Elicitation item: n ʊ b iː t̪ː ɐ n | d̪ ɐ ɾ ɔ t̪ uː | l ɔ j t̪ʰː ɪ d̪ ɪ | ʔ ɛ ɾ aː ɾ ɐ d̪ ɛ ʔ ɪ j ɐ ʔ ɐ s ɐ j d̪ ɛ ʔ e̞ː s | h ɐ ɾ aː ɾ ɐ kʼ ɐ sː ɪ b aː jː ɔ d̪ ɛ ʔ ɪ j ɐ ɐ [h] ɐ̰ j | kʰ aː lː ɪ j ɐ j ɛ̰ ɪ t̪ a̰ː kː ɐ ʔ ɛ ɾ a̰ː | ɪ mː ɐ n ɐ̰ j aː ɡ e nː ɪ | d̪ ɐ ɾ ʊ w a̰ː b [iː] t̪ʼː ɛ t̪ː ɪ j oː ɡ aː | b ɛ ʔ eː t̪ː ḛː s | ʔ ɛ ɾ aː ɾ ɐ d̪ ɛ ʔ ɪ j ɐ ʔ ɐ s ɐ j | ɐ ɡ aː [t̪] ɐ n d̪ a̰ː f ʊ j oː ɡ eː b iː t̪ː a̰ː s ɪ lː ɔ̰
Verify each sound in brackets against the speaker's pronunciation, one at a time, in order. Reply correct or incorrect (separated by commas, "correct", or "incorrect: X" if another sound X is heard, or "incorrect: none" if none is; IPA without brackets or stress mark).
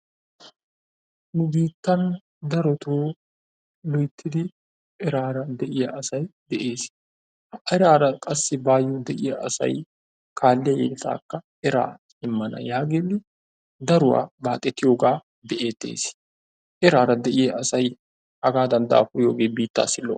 incorrect: s, incorrect: aː, incorrect: d̪